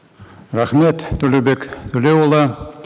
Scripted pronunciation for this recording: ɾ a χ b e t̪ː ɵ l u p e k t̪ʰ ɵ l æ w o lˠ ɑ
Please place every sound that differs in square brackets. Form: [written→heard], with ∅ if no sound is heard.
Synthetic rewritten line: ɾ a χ [b→m] e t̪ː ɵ l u [p→b] e k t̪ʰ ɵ l [æ→e] w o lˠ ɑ